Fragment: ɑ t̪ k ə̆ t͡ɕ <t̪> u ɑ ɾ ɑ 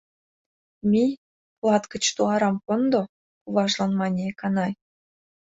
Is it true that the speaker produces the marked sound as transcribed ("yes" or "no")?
yes